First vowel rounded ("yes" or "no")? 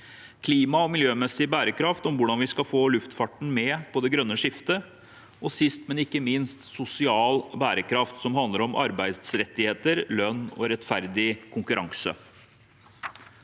no